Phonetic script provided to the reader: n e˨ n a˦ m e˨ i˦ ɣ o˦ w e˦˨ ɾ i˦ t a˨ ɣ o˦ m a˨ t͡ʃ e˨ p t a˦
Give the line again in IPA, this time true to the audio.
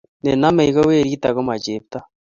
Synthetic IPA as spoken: n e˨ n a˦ m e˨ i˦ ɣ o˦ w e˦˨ ɾ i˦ t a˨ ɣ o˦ m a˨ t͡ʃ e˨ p t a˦

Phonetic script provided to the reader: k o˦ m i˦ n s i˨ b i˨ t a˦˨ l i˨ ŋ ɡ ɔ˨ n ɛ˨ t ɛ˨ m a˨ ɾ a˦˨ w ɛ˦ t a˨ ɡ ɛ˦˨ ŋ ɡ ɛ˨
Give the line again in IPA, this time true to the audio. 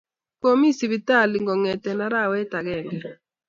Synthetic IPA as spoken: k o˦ m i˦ s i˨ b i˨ t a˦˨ l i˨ ŋ ɡ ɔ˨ ŋ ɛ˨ t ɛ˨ n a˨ ɾ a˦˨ w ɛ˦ t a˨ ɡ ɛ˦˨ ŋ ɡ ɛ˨

